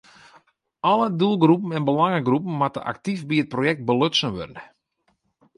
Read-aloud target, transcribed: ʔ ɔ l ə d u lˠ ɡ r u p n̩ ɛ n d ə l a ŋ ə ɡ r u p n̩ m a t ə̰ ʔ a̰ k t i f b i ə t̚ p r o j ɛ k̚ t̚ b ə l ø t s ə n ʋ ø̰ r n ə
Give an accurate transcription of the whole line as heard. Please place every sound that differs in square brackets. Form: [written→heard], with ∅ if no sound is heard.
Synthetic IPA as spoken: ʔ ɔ l ə d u lˠ ɡ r u p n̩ ɛ n [d→b] ə l a ŋ ə ɡ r u p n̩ m a t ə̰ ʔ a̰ k t i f b i ə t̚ p r o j ɛ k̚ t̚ b ə l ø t s ə n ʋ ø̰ r n ə